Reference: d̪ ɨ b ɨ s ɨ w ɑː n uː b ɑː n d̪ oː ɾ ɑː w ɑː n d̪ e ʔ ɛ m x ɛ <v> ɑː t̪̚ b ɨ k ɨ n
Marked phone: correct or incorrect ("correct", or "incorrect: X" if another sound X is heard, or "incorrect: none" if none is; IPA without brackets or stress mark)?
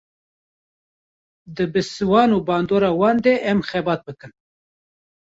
incorrect: b